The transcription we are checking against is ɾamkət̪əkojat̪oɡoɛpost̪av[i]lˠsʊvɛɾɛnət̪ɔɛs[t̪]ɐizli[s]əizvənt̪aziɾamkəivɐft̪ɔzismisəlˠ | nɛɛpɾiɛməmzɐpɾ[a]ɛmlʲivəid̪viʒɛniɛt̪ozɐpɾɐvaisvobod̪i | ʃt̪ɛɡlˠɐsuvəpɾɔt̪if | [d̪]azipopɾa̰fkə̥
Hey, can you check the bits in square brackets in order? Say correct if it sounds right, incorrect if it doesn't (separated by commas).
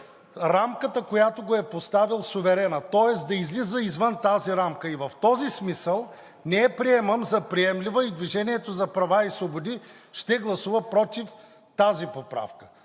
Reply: correct, incorrect, incorrect, incorrect, incorrect